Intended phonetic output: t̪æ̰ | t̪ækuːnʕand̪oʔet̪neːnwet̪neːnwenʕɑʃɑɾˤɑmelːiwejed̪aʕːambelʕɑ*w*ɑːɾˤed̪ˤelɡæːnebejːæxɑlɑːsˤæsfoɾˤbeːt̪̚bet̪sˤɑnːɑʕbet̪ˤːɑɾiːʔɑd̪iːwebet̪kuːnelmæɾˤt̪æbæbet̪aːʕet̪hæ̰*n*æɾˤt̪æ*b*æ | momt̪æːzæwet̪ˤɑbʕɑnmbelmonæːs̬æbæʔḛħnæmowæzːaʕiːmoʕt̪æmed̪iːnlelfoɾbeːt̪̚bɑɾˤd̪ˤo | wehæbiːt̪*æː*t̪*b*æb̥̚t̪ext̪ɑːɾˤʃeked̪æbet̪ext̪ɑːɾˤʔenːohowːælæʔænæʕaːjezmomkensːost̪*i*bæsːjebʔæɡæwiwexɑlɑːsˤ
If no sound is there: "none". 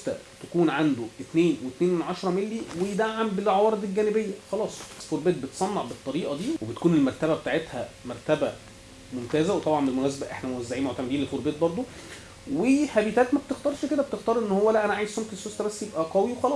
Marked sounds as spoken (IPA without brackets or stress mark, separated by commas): w, m, b, æː, m, æ